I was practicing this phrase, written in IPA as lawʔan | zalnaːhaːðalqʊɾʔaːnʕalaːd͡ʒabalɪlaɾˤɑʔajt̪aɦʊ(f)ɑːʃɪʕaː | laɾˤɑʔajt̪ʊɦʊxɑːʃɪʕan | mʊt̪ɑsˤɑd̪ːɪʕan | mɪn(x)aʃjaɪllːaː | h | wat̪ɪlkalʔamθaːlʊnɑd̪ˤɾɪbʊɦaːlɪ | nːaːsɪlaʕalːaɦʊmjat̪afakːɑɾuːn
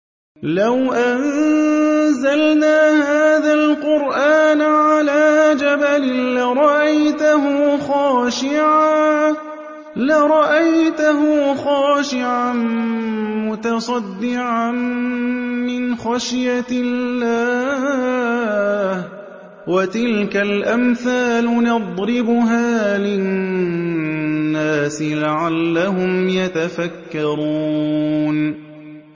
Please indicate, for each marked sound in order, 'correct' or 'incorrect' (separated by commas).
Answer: incorrect, correct